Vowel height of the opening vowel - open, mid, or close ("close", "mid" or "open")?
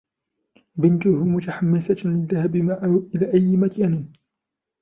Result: close